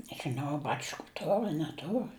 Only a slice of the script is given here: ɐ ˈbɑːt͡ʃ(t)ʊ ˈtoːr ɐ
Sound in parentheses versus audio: incorrect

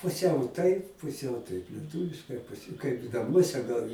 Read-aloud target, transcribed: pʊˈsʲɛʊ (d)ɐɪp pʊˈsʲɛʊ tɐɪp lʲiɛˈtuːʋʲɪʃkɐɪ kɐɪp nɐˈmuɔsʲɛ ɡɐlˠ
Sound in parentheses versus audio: incorrect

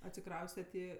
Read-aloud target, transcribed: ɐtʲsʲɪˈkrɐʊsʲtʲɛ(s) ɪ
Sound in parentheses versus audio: incorrect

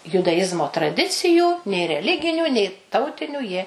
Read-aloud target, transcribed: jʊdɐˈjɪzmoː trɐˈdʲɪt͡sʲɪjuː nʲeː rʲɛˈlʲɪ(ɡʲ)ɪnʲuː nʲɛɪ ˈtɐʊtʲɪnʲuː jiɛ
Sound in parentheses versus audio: correct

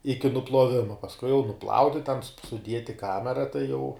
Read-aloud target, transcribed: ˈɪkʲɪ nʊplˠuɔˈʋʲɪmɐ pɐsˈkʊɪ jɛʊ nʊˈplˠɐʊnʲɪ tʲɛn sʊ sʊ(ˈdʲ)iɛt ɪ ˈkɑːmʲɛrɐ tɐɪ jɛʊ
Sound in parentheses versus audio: correct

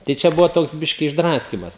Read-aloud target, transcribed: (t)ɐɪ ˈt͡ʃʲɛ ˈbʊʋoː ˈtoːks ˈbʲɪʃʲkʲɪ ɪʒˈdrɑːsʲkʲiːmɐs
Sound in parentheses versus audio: correct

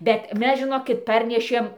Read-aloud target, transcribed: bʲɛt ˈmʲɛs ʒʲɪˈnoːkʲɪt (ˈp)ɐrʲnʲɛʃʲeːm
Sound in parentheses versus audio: correct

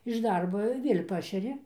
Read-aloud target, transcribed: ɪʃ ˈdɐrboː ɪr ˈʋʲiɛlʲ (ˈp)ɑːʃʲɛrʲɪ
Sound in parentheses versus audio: correct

